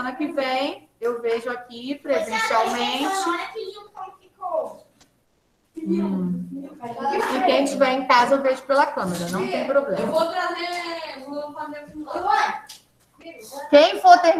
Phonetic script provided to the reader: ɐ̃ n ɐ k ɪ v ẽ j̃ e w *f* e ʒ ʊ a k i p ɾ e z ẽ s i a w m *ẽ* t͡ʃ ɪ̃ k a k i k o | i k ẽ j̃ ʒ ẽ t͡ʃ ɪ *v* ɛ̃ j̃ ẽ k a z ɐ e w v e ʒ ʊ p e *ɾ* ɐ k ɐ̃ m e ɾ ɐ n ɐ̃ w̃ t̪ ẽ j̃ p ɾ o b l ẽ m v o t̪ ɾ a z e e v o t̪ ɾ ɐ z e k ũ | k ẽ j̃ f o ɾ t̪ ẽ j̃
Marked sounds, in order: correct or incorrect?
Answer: incorrect, correct, correct, incorrect

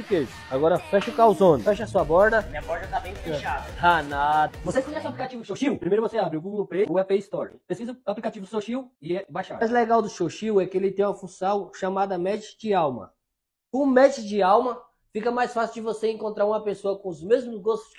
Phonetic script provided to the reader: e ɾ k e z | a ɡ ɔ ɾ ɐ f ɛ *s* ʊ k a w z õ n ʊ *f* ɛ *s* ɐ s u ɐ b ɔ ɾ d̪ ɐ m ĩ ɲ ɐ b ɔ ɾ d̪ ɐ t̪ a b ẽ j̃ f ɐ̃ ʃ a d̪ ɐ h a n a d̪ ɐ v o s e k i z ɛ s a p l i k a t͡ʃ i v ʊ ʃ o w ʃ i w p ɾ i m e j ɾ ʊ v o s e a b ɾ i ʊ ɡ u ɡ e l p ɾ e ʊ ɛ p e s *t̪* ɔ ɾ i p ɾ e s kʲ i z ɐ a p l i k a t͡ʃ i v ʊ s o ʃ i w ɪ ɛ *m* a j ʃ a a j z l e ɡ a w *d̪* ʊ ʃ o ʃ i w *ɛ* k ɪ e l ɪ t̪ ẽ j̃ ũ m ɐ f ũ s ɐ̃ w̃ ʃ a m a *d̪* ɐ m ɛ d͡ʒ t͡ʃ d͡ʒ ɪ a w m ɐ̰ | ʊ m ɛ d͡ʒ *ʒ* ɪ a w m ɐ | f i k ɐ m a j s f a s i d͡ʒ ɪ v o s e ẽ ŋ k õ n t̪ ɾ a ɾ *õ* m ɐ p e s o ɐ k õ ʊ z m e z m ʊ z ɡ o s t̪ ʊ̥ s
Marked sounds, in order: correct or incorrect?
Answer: incorrect, correct, incorrect, correct, incorrect, correct, correct, correct, incorrect, incorrect

